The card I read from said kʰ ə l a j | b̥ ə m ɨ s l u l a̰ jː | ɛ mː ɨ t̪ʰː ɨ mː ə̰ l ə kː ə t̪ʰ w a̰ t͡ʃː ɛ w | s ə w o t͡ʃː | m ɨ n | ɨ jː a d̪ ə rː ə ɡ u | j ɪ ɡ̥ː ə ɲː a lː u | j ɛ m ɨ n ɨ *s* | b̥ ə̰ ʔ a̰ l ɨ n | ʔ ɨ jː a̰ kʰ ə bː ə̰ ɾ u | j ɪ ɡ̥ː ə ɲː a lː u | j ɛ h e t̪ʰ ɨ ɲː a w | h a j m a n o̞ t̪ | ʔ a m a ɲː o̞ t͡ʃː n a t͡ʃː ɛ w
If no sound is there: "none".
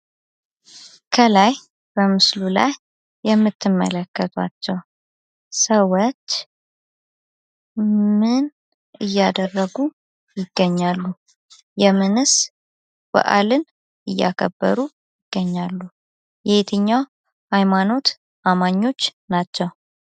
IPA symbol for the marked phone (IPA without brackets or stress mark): s